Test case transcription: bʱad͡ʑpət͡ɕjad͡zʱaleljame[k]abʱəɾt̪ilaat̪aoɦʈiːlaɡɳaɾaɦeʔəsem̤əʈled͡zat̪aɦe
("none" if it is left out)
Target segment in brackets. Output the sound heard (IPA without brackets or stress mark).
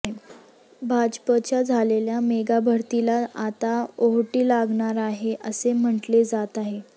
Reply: ɡ